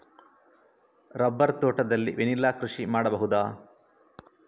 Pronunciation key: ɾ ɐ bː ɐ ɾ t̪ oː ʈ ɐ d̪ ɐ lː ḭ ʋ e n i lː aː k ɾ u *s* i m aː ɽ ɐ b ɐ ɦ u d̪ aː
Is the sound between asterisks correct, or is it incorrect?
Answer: incorrect